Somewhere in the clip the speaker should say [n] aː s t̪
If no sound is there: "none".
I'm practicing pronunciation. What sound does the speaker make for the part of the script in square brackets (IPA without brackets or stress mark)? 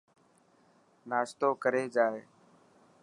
n